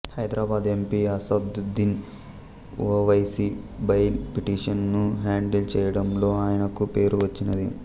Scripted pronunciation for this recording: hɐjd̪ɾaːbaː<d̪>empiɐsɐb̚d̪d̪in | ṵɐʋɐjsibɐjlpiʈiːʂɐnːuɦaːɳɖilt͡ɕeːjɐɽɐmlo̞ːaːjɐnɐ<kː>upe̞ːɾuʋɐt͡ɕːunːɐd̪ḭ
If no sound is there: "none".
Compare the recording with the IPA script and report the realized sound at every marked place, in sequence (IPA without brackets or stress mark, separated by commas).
d̪, kː